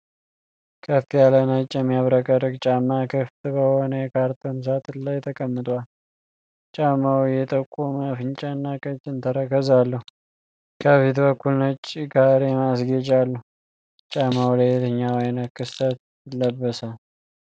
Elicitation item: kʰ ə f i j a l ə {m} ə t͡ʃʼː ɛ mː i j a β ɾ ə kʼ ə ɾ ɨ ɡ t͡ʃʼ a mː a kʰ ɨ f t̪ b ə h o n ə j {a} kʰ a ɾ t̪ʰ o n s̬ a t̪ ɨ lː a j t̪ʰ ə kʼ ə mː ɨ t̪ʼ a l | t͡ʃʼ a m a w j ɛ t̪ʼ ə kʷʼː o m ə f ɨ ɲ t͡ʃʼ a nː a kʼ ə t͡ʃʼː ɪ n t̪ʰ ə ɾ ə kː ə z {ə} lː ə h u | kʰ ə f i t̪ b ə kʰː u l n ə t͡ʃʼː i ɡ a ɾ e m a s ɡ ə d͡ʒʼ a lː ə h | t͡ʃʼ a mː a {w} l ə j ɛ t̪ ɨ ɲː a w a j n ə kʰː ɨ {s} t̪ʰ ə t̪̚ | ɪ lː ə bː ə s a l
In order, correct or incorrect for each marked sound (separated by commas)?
incorrect, incorrect, incorrect, correct, correct